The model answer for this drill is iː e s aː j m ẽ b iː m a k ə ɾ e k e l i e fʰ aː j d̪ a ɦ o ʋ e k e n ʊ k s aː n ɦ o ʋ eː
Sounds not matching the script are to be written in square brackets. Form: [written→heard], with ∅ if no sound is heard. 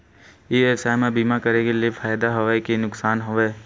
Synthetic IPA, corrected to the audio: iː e s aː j m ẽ b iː m a k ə ɾ e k e l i e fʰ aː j d̪ a ɦ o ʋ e k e n ʊ k s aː n ɦ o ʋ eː